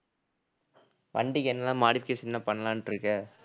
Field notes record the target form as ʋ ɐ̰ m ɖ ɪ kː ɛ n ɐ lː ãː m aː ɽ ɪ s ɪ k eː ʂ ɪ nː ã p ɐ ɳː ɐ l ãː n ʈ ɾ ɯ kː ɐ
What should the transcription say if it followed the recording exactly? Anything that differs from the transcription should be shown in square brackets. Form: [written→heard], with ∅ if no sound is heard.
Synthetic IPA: ʋ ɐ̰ [m→ɳ] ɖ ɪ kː ɛ [n→nː] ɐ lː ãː m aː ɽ ɪ [s→f] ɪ k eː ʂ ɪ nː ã p ɐ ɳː ɐ l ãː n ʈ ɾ ɯ kː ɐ